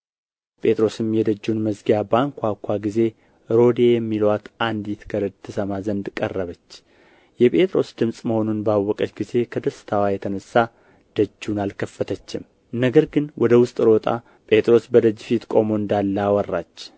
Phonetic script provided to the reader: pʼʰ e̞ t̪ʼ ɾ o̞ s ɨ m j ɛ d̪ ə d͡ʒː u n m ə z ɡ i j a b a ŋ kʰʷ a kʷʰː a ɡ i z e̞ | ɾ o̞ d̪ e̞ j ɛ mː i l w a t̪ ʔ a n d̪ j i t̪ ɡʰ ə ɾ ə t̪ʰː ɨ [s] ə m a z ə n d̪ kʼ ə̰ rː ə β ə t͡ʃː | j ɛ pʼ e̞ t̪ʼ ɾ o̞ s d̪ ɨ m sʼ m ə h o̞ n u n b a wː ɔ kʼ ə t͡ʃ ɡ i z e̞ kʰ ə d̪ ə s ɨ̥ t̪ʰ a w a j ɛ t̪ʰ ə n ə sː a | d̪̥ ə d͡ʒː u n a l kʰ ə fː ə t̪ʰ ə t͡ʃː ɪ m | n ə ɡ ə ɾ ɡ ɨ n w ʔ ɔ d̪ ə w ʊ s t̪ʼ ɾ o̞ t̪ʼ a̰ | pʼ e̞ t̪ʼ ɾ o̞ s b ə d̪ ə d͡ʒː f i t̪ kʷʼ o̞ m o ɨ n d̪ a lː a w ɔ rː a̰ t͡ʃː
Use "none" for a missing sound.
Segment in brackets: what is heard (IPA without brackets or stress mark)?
s